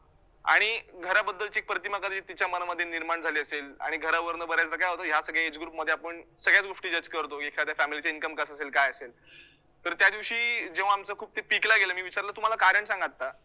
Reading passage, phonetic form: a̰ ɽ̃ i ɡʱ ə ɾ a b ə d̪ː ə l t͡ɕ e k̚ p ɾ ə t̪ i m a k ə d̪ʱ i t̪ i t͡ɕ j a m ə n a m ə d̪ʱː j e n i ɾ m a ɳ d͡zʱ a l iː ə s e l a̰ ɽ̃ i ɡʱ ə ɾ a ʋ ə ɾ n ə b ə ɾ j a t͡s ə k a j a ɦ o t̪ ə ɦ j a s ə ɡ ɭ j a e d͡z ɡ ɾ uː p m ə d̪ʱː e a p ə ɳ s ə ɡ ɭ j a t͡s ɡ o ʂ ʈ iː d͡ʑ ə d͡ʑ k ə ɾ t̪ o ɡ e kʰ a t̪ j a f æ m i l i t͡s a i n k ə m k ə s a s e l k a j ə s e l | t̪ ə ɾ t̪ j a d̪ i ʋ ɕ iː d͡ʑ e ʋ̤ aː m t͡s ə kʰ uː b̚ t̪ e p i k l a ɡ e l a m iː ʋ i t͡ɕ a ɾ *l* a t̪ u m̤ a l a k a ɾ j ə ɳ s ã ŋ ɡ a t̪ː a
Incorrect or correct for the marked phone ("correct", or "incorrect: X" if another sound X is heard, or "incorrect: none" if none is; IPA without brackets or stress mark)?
correct